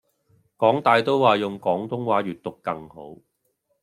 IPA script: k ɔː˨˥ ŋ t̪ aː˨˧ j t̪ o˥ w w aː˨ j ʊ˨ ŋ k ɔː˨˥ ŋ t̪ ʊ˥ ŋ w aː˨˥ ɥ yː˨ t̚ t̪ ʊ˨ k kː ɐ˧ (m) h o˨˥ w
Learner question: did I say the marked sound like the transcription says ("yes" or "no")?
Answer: no